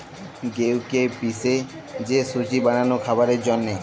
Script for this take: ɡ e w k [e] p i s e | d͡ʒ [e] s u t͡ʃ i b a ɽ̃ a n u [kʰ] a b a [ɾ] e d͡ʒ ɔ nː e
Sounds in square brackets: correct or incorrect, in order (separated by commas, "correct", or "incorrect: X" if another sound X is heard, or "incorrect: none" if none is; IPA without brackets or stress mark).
correct, correct, correct, correct